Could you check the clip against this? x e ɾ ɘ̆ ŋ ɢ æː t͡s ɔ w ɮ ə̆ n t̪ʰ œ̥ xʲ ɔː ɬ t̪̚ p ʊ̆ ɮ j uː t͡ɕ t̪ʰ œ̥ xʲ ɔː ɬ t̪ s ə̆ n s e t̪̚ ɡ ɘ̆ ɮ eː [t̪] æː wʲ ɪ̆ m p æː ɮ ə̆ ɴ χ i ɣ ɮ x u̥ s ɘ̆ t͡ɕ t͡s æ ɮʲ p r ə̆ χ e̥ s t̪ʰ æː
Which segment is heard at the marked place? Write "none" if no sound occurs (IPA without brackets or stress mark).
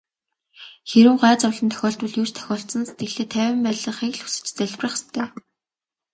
t̪ʰ